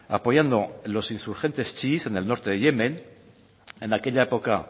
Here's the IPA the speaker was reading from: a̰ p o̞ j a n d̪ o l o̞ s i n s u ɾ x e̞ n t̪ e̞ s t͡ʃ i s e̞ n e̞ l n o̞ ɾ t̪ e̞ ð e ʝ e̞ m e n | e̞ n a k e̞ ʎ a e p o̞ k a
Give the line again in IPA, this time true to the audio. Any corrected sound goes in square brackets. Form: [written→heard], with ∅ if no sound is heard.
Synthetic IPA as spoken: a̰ p o̞ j a n d̪ o l o̞ s i n s u ɾ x e̞ n t̪ e̞ s t͡ʃ i s e̞ n e̞ l n o̞ ɾ t̪ e̞ ð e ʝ e̞ m e n | e̞ n a k e̞ ʎ a e p o̞ k a

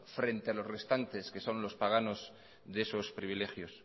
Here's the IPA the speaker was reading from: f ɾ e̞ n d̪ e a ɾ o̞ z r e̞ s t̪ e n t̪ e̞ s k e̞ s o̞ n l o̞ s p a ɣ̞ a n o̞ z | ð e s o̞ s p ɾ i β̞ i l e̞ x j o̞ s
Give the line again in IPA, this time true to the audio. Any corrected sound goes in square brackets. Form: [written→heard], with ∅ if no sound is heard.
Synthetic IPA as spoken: f ɾ e̞ n [d̪→t̪] e a [ɾ→l] o̞ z r e̞ s t̪ [e→a] n t̪ e̞ s k e̞ s o̞ n l o̞ s p a ɣ̞ a n o̞ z | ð e s o̞ s p ɾ i β̞ i l e̞ x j o̞ s

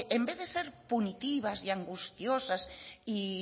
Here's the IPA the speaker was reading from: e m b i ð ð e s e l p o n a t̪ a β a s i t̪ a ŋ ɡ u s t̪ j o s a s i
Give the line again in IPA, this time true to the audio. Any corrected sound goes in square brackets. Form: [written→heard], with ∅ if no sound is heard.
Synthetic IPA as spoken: e m b [i→e] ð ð e s e [l→ɾ] p [o→u] n [a→i] t̪ [a→i] β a s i [t̪→∅] a ŋ ɡ u s t̪ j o s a s i

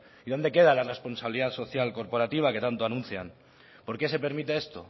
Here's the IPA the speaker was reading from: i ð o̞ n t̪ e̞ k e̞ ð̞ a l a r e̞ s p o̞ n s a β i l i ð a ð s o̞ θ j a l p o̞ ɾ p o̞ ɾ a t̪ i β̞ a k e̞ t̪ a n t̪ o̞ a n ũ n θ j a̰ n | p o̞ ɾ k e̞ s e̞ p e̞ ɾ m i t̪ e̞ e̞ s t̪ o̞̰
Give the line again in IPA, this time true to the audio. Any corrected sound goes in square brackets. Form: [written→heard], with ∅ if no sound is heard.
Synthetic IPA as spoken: i ð o̞ n [t̪→d̪] e̞ k e̞ ð̞ a l a r e̞ s p o̞ n s a β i l i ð a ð s o̞ θ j a l [p→k] o̞ ɾ p o̞ ɾ a t̪ i β̞ a k e̞ t̪ a n t̪ o̞ a n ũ n θ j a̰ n | p o̞ ɾ k e̞ s e̞ p e̞ ɾ m i t̪ e̞ e̞ s t̪ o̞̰

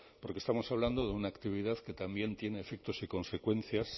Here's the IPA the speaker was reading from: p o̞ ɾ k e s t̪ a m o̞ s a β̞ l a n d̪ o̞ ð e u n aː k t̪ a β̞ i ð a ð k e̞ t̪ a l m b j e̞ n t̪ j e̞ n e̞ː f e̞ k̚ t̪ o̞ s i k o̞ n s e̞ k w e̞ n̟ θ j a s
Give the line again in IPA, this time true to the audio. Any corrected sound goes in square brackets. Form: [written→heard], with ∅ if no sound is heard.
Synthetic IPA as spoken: p o̞ ɾ k e s t̪ a m o̞ s a β̞ l a n d̪ o̞ ð e u n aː k t̪ [a→i] β̞ i ð a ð k e̞ t̪ a [l→∅] m b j e̞ n t̪ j e̞ n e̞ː f e̞ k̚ t̪ o̞ s i k o̞ n s e̞ k w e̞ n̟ θ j a s

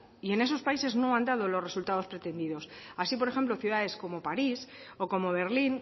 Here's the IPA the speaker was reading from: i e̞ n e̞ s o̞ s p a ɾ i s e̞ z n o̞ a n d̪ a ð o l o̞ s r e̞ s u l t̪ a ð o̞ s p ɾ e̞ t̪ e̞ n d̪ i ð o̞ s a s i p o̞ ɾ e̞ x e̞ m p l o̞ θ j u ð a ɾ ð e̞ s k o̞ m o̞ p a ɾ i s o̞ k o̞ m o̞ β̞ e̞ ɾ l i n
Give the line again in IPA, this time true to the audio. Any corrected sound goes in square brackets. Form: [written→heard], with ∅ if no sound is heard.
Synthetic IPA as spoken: i e̞ n e̞ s o̞ s p a [ɾ→∅] i s e̞ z n o̞ a n d̪ a ð o l o̞ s r e̞ s u l t̪ a ð o̞ s p ɾ e̞ t̪ e̞ n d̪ i ð o̞ s a s i p o̞ ɾ e̞ x e̞ m p l o̞ θ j u ð a [ɾ→∅] ð e̞ s k o̞ m o̞ p a ɾ i s o̞ k o̞ m o̞ β̞ e̞ ɾ l i n

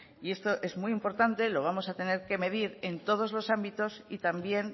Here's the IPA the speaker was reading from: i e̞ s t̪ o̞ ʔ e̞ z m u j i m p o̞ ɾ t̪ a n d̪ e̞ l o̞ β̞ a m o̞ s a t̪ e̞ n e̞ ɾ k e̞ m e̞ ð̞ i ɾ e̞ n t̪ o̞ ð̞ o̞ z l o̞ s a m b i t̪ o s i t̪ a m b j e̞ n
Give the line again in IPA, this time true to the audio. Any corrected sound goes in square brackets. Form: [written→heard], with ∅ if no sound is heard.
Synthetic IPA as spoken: i e̞ s t̪ o̞ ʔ e̞ z m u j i m p o̞ ɾ t̪ a n [d̪→t̪] e̞ l o̞ β̞ a m o̞ s a t̪ e̞ n e̞ ɾ k e̞ m e̞ ð̞ i ɾ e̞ n t̪ o̞ ð̞ o̞ z l o̞ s a m b i t̪ o s i t̪ a m b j e̞ n

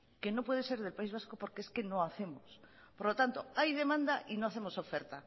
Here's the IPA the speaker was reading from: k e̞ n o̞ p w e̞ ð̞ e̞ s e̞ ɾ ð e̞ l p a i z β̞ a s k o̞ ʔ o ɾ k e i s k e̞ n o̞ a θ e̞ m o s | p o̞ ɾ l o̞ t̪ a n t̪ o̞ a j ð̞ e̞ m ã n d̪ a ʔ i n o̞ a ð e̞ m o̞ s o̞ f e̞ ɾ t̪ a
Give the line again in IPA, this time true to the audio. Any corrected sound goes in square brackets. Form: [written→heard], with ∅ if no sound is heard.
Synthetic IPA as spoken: k e̞ n o̞ p w e̞ ð̞ e̞ s e̞ ɾ ð e̞ l p a i z β̞ a s k o̞ [ʔ→p] o ɾ k e [i→e] s k e̞ n o̞ a θ e̞ m o s | p o̞ ɾ l o̞ t̪ a n t̪ o̞ a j ð̞ e̞ m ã n d̪ a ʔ i n o̞ a [ð→θ] e̞ m o̞ s o̞ f e̞ ɾ t̪ a

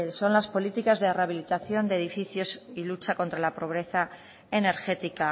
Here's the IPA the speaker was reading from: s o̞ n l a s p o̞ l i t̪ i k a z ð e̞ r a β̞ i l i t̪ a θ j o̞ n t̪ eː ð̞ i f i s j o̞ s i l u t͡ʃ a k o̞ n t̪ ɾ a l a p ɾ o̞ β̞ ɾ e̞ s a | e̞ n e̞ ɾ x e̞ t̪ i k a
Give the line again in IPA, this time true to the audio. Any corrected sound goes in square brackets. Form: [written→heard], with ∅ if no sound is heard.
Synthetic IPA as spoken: s o̞ n l a s p o̞ l i t̪ i k a z ð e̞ r a β̞ i l i t̪ a θ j o̞ n [t̪→d̪] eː ð̞ i f i [s→θ] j o̞ s i l u t͡ʃ a k o̞ n t̪ ɾ a l a p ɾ o̞ β̞ ɾ e̞ [s→θ] a | e̞ n e̞ ɾ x e̞ t̪ i k a

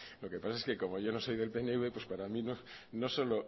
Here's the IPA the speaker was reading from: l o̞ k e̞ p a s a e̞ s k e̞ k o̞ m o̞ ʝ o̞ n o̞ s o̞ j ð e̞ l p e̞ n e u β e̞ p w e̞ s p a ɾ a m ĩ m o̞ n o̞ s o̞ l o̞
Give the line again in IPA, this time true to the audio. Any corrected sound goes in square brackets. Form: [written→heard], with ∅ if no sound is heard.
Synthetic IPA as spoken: l o̞ k e̞ p a s a e̞ s k e̞ k o̞ m o̞ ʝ o̞ n o̞ s o̞ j ð e̞ l p e̞ n e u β e̞ p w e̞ s p a ɾ a m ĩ [m→n] o̞ n o̞ s o̞ l o̞

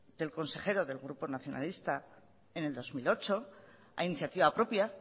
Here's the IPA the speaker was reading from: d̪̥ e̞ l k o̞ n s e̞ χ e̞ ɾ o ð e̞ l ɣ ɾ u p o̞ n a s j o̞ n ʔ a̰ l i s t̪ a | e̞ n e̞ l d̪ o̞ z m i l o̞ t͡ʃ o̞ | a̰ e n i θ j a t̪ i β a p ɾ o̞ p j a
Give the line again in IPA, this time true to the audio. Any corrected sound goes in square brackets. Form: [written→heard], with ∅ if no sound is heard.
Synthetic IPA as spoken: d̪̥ e̞ l k o̞ n s e̞ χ e̞ ɾ o ð e̞ l ɣ ɾ u p o̞ n a [s→θ] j o̞ n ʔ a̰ l i s t̪ a | e̞ n e̞ l d̪ o̞ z m i l o̞ t͡ʃ o̞ | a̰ [e→i] n i θ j a t̪ i β a p ɾ o̞ p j a

